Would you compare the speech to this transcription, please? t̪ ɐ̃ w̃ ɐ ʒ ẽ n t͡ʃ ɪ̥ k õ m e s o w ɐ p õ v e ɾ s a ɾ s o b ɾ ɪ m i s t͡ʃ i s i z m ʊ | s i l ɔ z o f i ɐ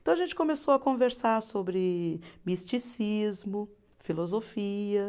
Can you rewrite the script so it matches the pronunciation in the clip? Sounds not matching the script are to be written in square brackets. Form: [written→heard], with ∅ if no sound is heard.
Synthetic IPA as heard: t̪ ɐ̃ w̃ ɐ ʒ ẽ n t͡ʃ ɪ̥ k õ m e s o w ɐ [p→k] õ v e ɾ s a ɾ s o b ɾ ɪ m i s t͡ʃ i s i z m ʊ | [s→f] i l [ɔ→o] z o f i ɐ

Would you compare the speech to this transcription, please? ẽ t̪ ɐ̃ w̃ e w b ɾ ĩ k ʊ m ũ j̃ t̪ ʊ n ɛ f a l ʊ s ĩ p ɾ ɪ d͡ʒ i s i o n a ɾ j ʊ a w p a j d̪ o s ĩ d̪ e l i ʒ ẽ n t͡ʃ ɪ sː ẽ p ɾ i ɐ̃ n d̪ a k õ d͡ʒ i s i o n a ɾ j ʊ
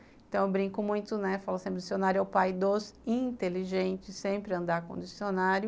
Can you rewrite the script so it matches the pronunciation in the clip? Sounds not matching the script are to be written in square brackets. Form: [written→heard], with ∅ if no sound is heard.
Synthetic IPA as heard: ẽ t̪ ɐ̃ w̃ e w b ɾ ĩ k ʊ m ũ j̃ t̪ ʊ n ɛ f a l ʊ s [ĩ→ẽ] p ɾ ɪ d͡ʒ i s i o n a ɾ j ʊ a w p a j d̪ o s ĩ [d̪→t̪] e l i ʒ ẽ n t͡ʃ ɪ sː ẽ p ɾ [i→ɪ] ɐ̃ n d̪ a k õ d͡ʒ i s i o n a ɾ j ʊ

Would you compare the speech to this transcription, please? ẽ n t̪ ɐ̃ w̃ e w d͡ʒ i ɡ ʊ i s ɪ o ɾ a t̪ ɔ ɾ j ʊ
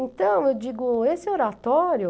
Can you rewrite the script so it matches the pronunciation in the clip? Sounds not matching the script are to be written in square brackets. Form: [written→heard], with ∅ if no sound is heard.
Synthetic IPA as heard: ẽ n t̪ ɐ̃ w̃ e w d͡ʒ i ɡ ʊ [i→e] s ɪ o ɾ a t̪ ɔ ɾ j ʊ

